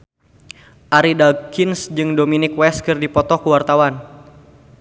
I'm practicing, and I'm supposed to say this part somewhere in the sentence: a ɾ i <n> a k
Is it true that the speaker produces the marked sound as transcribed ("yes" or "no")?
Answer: no